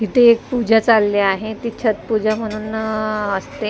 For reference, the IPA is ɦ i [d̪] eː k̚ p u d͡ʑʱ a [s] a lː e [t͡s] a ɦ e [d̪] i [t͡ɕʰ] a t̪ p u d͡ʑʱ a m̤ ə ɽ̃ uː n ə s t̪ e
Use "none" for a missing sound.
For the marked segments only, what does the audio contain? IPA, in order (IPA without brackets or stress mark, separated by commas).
t̪, t͡s, none, t̪, t͡ɕʰ